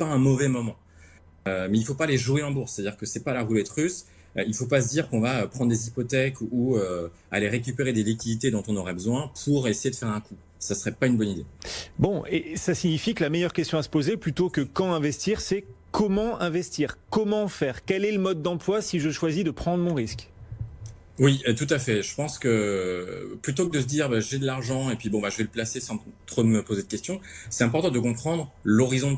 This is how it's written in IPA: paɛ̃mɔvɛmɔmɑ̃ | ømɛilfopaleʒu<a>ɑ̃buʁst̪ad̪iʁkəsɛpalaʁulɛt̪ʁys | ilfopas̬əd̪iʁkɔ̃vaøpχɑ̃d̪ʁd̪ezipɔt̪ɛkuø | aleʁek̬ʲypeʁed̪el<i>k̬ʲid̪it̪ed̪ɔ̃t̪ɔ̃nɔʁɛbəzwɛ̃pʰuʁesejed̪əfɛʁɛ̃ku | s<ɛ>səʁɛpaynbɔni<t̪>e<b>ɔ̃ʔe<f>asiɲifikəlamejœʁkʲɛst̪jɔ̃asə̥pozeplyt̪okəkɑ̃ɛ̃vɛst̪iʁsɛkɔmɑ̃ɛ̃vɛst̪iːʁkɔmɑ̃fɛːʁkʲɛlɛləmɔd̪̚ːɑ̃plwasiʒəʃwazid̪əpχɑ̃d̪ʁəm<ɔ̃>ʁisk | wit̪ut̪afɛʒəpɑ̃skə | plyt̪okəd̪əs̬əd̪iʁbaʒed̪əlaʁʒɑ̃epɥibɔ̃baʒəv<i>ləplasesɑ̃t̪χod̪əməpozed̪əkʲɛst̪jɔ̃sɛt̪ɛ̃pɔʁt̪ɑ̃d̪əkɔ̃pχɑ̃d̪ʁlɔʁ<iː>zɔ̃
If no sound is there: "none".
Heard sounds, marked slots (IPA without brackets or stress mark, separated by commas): e, i, a, d̪, b, s, ɔ̃, ɛ, i